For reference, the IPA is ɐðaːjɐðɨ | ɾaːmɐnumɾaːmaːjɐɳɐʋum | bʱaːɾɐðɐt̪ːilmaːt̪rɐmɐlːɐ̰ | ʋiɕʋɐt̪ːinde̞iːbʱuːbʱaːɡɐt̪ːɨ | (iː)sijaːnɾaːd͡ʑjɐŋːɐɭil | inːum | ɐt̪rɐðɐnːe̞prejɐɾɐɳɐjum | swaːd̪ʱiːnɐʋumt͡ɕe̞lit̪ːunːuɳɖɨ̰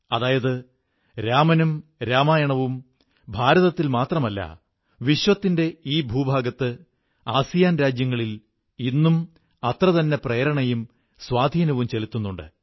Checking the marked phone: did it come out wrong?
yes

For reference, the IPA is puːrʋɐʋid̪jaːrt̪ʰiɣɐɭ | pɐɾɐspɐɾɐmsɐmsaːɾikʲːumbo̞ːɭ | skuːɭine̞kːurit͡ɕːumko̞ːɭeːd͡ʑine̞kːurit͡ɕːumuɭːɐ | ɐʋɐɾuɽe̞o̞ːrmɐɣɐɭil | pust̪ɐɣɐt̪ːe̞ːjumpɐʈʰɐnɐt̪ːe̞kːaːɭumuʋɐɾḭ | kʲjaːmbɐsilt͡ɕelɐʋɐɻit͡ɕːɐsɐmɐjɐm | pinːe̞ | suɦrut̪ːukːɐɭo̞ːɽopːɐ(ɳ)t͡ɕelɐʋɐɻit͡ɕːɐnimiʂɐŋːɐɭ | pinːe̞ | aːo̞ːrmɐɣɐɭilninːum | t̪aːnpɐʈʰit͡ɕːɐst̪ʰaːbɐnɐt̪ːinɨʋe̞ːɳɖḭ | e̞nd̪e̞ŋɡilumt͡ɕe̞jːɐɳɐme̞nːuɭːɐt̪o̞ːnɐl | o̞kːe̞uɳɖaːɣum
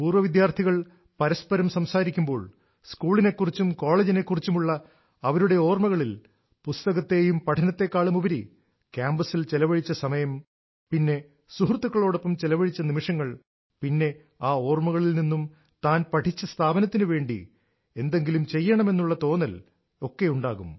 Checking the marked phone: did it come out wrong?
yes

